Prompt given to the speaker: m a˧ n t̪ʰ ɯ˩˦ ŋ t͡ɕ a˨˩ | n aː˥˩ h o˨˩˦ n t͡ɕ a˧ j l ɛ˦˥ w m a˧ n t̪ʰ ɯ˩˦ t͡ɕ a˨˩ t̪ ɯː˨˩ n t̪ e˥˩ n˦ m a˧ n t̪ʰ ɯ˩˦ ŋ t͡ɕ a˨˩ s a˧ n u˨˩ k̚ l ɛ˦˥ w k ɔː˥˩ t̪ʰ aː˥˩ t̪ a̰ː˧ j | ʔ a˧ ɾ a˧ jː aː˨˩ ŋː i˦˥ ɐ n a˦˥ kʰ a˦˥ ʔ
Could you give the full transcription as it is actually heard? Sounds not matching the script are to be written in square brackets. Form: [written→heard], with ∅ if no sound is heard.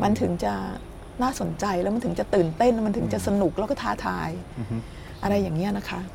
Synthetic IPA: m a˧ n t̪ʰ ɯ˩˦ ŋ t͡ɕ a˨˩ | n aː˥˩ [h→s] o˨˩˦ n t͡ɕ a˧ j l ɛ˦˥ w m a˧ n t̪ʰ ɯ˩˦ t͡ɕ a˨˩ t̪ ɯː˨˩ n t̪ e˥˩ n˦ m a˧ n t̪ʰ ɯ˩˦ ŋ t͡ɕ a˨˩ s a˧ n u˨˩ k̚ l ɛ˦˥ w k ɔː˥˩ t̪ʰ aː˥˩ [t̪→t̪ʰ] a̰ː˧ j | ʔ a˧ ɾ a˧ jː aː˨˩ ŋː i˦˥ ɐ n a˦˥ kʰ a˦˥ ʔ